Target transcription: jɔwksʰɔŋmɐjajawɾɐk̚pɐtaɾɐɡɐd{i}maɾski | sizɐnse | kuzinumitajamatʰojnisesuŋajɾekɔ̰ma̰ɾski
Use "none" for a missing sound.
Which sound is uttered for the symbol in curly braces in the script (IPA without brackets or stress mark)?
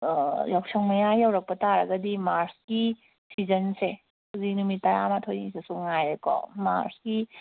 i